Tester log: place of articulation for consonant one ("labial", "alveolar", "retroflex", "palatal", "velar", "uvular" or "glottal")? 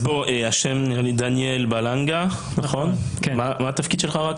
labial